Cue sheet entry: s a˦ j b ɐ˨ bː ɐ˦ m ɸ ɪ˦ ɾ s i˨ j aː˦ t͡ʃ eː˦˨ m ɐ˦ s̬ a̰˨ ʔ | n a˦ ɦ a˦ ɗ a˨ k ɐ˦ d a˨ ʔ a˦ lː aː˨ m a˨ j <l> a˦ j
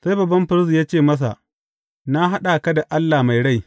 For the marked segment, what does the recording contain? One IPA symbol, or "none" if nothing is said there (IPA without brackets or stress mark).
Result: ɽ